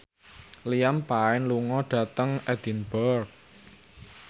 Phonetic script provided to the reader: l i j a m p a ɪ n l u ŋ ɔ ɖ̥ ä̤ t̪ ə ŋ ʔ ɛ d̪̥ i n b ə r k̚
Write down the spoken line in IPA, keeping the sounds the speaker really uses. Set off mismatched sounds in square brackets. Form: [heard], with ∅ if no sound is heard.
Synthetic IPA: l i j a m p a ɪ n l u ŋ ɔ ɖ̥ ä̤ t̪ ə ŋ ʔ ɛ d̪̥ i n b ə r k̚